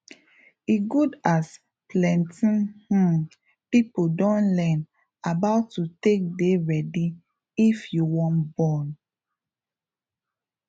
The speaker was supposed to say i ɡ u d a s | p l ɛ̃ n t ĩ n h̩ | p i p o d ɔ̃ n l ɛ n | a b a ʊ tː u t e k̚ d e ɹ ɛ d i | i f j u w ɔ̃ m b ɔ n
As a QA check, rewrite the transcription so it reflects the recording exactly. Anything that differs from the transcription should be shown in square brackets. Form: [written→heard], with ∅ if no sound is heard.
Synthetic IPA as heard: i ɡ u d a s | p l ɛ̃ n t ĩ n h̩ | p i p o d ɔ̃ n l ɛ n | a b a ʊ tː u t e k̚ d e ɹ ɛ d i | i f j u w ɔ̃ [m→n] b ɔ n